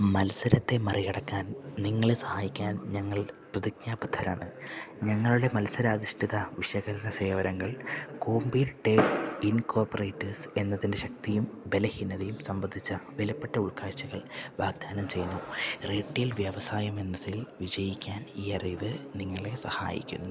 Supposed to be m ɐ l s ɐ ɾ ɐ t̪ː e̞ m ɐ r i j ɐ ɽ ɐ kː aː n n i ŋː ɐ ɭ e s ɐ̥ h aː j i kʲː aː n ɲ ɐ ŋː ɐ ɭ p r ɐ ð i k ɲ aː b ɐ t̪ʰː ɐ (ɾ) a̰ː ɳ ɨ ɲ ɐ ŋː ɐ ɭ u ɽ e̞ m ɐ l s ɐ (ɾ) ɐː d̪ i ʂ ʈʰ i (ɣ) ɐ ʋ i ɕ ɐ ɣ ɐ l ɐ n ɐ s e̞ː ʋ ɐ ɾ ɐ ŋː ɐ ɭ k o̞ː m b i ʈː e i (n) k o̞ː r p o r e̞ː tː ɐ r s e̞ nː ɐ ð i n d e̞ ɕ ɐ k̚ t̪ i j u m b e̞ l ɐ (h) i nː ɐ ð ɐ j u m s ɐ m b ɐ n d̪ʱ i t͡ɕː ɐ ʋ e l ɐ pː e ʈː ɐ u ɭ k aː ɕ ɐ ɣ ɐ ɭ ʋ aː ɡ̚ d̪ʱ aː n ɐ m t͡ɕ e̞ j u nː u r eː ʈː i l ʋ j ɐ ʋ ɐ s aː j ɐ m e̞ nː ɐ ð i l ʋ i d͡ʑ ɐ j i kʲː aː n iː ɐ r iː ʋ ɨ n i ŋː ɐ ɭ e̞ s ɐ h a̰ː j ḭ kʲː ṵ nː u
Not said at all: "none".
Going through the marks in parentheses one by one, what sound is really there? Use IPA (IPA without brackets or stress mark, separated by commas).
ɾ, ɾ, ð, n, h